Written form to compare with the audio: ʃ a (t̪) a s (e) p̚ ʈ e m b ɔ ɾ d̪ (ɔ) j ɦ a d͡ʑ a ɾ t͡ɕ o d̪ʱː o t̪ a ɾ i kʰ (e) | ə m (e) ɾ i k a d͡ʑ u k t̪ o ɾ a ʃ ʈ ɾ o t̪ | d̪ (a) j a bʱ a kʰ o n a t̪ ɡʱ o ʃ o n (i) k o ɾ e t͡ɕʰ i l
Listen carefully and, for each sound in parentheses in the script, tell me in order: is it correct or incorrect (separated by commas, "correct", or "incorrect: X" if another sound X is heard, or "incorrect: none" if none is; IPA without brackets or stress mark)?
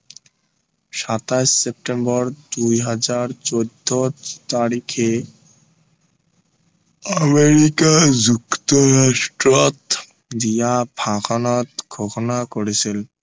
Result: correct, correct, incorrect: u, correct, correct, incorrect: i, incorrect: a